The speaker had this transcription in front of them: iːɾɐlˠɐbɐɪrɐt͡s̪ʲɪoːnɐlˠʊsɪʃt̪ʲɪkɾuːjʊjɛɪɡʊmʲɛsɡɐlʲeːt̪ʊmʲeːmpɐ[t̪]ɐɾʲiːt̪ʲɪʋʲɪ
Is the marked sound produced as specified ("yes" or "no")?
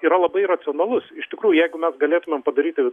no